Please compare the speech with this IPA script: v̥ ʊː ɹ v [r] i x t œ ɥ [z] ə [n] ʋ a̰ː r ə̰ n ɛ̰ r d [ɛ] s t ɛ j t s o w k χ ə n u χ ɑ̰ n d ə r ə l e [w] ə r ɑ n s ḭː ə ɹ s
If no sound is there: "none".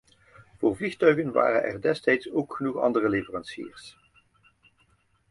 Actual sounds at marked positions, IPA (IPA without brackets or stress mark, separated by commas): l, ɣ, n, ɛ, v